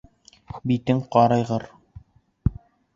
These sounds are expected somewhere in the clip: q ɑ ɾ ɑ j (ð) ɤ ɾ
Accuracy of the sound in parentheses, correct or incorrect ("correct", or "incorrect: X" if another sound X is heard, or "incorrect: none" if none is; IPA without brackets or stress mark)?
incorrect: ʁ